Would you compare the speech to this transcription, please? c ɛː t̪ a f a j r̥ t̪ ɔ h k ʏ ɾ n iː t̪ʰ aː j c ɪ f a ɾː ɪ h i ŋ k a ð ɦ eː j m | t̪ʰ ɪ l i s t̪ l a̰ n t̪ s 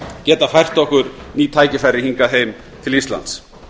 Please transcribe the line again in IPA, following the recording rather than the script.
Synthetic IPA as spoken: c ɛː t̪ a f a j r̥ t̪ ɔ h k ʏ ɾ n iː t̪ʰ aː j c ɪ f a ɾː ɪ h i ŋ k a ð ɦ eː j m | t̪ʰ ɪ l i s t̪ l a̰ n t̪ s